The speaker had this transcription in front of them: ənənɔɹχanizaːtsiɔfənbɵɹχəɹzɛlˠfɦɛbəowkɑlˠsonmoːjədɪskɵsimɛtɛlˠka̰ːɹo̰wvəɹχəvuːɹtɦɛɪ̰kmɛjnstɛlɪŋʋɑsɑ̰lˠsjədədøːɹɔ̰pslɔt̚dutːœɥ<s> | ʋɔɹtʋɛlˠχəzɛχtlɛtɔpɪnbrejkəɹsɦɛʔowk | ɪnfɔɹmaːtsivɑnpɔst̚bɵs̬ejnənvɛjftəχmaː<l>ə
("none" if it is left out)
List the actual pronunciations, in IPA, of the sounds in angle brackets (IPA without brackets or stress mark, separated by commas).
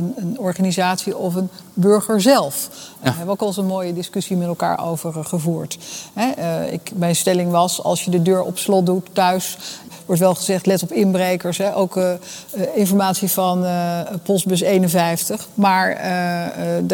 s, ɹ